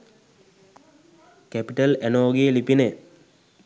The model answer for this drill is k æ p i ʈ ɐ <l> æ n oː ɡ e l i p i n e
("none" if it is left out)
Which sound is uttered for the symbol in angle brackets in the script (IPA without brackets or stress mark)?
l